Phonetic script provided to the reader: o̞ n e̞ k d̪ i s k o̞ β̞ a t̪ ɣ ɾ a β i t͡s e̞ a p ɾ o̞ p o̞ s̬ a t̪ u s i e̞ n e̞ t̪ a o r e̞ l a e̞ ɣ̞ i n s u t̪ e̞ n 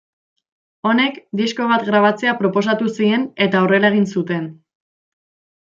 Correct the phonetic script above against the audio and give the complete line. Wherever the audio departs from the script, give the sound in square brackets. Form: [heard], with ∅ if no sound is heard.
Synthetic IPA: o̞ n e̞ k d̪ i s k o̞ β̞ a t̪ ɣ ɾ a β [a] t͡s e̞ a p ɾ o̞ p o̞ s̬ a t̪ u s i e̞ n e̞ t̪ a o r e̞ l a e̞ ɣ̞ i n s u t̪ e̞ n